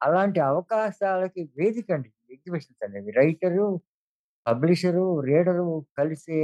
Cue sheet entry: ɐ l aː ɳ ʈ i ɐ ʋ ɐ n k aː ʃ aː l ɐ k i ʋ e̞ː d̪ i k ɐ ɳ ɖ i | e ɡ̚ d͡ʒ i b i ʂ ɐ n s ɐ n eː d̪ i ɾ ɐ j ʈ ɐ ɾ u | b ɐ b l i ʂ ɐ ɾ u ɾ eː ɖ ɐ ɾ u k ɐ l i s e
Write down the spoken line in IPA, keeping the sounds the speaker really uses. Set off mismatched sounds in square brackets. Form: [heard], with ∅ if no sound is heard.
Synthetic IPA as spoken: ɐ l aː ɳ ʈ i ɐ ʋ ɐ [∅] k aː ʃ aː l ɐ k i ʋ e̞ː d̪ i k ɐ ɳ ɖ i | e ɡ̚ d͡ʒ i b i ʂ ɐ n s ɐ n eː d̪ i ɾ ɐ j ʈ ɐ ɾ u | [p] ɐ b l i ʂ ɐ ɾ u ɾ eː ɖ ɐ ɾ u k ɐ l i s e